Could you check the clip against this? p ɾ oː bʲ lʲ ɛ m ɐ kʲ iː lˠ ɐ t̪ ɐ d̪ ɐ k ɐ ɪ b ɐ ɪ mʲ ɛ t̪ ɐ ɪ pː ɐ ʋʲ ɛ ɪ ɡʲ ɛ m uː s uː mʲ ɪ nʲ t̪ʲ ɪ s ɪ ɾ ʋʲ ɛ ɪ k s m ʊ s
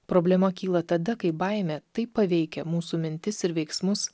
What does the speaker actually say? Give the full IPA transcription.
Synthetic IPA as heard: p ɾ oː bʲ lʲ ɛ m ɐ kʲ iː lˠ ɐ t̪ ɐ d̪ ɐ k ɐ ɪ b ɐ ɪ mʲ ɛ t̪ ɐ ɪ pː ɐ ʋʲ ɛ ɪ kʲ ɛ m uː s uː mʲ ɪ nʲ t̪ʲ ɪ s ɪ ɾ ʋʲ ɛ ɪ k s m ʊ s